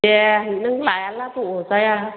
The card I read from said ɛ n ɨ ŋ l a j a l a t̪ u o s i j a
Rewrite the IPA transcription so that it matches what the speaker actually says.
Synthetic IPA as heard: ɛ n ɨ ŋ l a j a l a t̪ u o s a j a